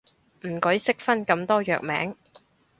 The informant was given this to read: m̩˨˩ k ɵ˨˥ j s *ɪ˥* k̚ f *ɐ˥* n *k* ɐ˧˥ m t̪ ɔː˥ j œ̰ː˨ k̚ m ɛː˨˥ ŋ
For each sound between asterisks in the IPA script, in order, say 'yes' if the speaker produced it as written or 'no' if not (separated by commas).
yes, yes, yes